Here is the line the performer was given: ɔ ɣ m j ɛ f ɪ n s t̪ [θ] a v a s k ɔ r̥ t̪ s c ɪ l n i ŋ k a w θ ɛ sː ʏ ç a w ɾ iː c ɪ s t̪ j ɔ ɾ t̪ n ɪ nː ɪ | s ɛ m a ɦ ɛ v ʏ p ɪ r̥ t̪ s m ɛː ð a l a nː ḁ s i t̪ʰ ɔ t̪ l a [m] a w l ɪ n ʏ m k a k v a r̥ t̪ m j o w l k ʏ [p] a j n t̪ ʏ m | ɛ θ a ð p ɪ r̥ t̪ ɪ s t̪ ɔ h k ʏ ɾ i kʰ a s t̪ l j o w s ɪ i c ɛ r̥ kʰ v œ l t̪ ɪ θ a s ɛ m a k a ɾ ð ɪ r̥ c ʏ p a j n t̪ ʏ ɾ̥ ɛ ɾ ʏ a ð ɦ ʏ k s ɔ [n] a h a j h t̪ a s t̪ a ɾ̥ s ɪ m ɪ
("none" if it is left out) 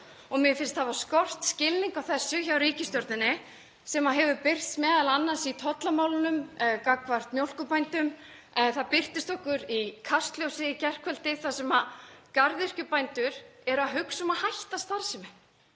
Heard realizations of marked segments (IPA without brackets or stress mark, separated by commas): h, m, p, m